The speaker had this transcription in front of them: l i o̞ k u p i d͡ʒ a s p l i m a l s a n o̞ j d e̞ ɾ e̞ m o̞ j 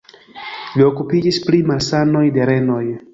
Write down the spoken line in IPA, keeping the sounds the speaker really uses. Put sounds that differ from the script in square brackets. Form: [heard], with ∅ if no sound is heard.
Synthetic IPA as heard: l i o̞ k u p i d͡ʒ [i] s p l i m a l s a n o̞ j d e̞ ɾ e̞ [n] o̞ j